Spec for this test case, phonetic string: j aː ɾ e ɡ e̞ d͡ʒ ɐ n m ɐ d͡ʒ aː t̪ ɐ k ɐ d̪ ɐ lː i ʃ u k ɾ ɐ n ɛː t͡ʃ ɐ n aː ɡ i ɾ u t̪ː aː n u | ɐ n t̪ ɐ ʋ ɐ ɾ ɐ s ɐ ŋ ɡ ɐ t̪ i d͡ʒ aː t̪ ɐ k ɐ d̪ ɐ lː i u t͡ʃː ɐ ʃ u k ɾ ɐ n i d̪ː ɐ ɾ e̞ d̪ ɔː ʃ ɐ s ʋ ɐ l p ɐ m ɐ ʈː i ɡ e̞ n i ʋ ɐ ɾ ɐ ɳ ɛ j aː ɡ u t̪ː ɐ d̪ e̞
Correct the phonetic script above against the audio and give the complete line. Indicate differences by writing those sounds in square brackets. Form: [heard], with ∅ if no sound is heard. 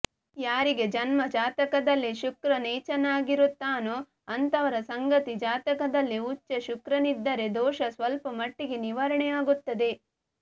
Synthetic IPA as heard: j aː ɾ [i] ɡ e̞ d͡ʒ ɐ n m ɐ d͡ʒ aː t̪ ɐ k ɐ d̪ ɐ lː i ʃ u k ɾ ɐ n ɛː t͡ʃ ɐ n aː ɡ i ɾ u t̪ː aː n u | ɐ n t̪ ɐ ʋ ɐ ɾ ɐ s ɐ ŋ ɡ ɐ t̪ i d͡ʒ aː t̪ ɐ k ɐ d̪ ɐ lː i u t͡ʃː ɐ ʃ u k ɾ ɐ n i d̪ː ɐ ɾ e̞ d̪ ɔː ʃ ɐ s ʋ ɐ l p ɐ m ɐ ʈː i ɡ e̞ n i ʋ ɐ ɾ ɐ ɳ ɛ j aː ɡ u t̪ː ɐ d̪ e̞